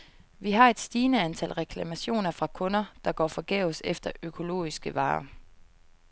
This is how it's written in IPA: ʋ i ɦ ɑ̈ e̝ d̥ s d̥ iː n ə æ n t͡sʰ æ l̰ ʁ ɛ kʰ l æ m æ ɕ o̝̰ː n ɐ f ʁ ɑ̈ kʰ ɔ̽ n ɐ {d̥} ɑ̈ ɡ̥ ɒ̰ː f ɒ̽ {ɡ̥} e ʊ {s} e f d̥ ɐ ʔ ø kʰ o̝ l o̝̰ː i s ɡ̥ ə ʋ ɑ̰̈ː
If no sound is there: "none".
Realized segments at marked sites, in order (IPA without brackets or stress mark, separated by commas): d̥, ɡ̥, s